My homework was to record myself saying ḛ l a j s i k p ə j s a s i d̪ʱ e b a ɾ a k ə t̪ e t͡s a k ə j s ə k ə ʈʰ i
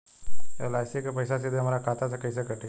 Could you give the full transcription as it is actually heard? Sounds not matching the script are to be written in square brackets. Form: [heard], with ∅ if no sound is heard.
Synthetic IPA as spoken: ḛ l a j s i k p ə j s a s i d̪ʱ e [m] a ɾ a k [a] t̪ [a] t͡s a k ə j s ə k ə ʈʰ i

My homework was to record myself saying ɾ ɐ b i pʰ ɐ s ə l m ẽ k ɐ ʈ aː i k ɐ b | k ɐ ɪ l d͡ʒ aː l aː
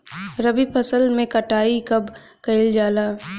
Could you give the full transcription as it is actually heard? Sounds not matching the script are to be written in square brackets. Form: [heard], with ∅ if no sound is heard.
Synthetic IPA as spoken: ɾ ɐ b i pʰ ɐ s ə l m ẽ k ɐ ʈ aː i k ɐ b | k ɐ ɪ l d͡ʒ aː l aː

